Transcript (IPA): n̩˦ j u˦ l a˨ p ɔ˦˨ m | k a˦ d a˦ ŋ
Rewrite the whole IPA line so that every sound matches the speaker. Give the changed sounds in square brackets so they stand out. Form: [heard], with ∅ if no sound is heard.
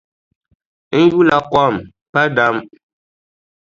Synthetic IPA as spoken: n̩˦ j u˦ l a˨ [k] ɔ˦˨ m | [p] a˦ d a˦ [m]